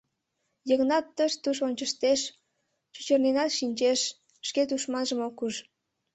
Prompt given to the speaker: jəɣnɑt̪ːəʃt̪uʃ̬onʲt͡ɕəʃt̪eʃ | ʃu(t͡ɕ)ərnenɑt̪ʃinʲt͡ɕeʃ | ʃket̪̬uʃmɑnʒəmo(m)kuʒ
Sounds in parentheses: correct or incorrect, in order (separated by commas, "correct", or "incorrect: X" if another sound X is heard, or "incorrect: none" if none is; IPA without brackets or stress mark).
correct, incorrect: none